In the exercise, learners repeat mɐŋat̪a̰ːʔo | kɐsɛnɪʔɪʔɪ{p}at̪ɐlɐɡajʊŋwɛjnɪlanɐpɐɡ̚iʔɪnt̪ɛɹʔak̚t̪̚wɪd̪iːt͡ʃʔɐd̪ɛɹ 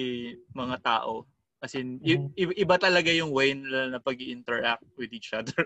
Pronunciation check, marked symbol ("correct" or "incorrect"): incorrect